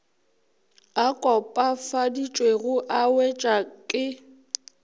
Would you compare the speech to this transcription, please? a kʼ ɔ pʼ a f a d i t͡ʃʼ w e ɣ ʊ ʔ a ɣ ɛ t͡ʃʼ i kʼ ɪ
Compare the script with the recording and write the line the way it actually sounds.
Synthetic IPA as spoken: a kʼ ɔ pʼ a f a d i t͡ʃʼ w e ɣ ʊ ʔ a w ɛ t͡ʃʼ a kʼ ɪ